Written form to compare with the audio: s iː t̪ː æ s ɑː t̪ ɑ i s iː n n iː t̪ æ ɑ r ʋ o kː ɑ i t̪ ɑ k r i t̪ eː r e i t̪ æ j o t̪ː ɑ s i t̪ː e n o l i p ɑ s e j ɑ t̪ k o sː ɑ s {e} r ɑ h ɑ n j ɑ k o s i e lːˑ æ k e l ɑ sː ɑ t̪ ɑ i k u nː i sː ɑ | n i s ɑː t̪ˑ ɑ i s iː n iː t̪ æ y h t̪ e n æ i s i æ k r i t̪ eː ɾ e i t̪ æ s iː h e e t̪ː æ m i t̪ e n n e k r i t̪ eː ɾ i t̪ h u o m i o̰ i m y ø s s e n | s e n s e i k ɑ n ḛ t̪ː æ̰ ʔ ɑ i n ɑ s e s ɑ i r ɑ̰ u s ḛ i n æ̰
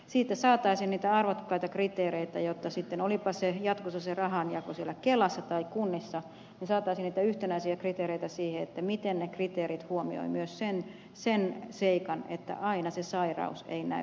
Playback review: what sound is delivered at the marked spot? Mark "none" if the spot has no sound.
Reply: e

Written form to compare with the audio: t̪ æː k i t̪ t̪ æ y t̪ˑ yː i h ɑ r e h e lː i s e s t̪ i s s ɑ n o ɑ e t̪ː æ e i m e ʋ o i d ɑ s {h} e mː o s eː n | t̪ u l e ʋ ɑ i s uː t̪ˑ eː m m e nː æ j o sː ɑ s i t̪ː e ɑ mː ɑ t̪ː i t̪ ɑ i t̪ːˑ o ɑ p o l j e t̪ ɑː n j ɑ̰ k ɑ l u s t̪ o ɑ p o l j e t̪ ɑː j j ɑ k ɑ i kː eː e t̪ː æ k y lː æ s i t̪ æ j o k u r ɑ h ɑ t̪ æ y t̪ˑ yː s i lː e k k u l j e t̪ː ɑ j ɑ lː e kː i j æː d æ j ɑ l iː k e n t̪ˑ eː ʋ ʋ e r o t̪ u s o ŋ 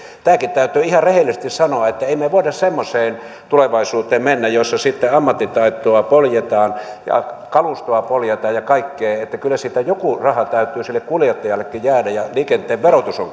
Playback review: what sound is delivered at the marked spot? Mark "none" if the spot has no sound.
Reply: s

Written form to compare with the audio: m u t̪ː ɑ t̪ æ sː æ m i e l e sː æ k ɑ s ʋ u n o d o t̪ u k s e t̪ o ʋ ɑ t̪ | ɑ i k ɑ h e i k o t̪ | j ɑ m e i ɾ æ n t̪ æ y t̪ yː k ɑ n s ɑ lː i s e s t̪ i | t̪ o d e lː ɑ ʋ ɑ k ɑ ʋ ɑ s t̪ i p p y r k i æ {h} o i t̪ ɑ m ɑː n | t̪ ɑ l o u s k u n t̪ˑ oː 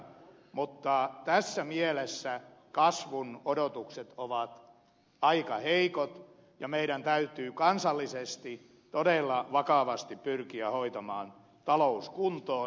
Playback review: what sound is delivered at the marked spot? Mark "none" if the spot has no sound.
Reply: h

